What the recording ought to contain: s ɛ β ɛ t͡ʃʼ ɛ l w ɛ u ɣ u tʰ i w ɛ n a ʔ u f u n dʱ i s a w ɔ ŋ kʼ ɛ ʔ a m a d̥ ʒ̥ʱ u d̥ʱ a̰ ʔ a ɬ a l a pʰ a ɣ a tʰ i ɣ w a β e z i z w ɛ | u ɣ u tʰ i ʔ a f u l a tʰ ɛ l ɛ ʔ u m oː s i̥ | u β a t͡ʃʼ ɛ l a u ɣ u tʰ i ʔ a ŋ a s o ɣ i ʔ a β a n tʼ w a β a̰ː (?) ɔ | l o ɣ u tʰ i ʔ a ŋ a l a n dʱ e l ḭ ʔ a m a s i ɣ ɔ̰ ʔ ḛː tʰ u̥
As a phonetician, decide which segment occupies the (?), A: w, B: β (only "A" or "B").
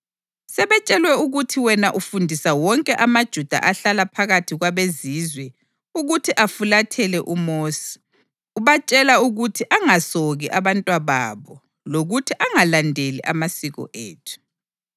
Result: B